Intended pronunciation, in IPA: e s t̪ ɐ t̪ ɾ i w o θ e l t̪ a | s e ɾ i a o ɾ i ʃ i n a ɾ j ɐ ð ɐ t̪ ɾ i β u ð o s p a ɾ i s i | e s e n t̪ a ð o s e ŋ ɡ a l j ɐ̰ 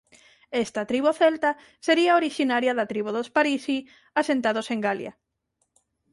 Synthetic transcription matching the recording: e s t̪ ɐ t̪ ɾ i β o θ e l t̪ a | s e ɾ i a o ɾ i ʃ i n a ɾ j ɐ ð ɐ t̪ ɾ i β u ð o s p a ɾ i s i | a s e n t̪ a ð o s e ŋ ɡ a l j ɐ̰